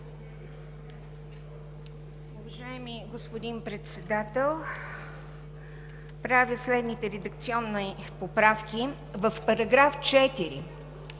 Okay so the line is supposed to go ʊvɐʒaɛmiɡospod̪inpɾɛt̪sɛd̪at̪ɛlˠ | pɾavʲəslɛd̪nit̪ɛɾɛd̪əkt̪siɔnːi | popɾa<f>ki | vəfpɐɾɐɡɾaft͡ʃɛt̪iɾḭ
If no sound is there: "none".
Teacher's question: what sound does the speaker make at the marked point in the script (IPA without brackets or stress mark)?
f